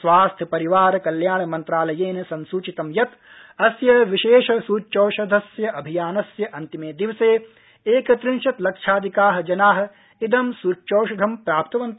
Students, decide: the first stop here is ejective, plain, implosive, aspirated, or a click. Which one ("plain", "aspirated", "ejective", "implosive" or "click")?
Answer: aspirated